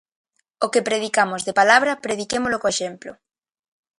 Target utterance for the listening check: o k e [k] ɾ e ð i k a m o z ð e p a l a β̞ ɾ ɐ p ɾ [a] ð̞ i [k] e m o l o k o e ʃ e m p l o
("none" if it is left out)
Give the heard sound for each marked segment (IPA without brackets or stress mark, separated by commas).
p, e, k